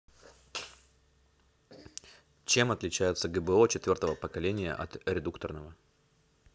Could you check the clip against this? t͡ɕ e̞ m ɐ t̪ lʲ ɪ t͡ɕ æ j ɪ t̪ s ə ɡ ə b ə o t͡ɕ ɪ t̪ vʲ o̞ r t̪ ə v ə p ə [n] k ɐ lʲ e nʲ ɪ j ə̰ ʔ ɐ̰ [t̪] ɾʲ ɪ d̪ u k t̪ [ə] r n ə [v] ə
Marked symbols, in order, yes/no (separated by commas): no, yes, yes, yes